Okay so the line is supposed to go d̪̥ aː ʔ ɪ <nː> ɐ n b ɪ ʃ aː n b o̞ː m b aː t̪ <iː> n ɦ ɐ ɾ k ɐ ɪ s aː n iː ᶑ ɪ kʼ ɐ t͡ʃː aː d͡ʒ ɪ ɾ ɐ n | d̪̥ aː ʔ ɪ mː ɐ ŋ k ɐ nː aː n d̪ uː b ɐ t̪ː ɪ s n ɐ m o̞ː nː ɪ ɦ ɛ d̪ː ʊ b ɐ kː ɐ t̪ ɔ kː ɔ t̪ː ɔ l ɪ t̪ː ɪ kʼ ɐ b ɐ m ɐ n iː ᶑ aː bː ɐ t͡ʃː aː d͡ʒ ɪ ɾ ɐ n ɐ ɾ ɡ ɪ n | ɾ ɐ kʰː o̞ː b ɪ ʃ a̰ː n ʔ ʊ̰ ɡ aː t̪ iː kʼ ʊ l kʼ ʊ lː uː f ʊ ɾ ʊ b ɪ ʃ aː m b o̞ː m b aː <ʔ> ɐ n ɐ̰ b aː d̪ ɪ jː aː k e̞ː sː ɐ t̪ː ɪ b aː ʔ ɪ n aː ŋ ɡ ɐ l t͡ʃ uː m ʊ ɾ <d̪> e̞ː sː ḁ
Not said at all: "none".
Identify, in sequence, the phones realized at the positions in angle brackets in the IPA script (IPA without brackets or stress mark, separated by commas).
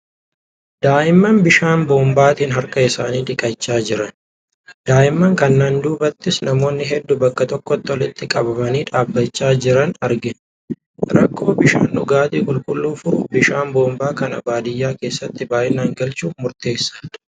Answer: mː, iː, k, t̪